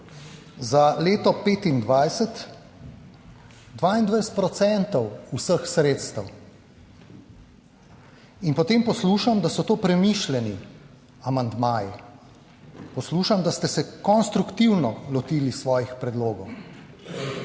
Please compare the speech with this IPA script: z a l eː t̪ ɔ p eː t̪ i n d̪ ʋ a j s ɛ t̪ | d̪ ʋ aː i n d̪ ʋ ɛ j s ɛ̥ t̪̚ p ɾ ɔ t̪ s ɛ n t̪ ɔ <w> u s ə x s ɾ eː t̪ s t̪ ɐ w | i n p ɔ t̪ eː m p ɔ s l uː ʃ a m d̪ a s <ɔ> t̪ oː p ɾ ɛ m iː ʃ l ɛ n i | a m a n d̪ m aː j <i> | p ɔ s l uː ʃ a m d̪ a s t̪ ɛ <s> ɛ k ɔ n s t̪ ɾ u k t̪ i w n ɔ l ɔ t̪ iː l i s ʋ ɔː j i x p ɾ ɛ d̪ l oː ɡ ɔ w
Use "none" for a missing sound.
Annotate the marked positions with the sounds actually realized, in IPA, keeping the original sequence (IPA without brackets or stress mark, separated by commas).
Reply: w, ɔ, i, s